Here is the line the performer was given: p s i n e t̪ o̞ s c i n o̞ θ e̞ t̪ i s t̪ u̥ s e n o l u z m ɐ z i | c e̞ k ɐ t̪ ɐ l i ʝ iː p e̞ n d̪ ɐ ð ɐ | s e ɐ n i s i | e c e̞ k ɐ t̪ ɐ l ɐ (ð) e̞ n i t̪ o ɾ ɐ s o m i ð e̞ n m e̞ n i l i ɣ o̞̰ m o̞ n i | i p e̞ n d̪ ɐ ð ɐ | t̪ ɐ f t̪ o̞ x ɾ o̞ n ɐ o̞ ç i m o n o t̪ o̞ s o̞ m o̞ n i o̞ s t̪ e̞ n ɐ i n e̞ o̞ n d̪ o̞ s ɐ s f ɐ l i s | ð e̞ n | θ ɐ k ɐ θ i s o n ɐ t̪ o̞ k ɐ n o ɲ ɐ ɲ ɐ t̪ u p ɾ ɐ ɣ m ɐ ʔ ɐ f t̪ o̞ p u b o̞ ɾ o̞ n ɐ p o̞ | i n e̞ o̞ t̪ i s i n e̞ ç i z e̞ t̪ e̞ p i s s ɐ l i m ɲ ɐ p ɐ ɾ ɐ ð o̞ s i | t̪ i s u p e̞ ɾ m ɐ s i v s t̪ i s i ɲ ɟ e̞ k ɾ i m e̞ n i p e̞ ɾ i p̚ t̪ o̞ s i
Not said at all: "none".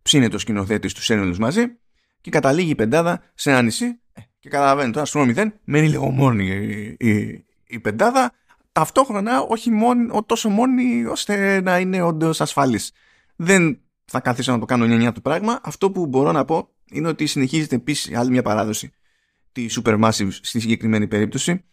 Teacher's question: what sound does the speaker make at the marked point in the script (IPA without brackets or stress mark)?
v